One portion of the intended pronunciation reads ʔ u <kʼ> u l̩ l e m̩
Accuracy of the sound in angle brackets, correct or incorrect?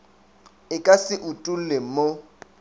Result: incorrect